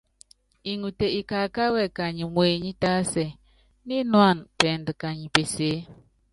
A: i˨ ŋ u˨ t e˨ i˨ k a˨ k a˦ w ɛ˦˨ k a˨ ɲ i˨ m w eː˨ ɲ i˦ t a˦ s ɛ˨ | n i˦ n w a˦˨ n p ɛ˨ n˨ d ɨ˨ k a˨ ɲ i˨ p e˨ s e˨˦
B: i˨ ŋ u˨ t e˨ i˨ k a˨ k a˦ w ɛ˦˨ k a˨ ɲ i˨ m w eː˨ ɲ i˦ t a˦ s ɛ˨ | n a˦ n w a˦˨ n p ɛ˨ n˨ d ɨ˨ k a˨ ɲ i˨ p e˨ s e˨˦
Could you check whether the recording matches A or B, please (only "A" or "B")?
A